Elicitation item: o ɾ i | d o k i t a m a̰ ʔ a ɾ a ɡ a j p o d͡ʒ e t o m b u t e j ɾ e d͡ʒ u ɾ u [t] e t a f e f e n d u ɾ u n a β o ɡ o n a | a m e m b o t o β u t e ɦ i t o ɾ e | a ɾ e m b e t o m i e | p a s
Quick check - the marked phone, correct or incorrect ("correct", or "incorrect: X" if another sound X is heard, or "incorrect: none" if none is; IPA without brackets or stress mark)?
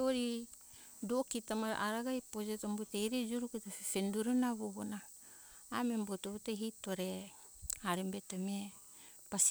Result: incorrect: k